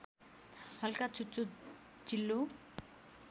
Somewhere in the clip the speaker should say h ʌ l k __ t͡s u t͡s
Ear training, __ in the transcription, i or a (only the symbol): a